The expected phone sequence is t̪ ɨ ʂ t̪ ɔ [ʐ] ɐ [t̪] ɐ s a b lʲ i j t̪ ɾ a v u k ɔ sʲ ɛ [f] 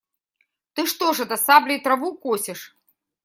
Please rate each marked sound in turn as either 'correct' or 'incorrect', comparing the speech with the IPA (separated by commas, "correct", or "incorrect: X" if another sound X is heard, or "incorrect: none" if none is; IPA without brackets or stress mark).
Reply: correct, incorrect: d̪, incorrect: ʂ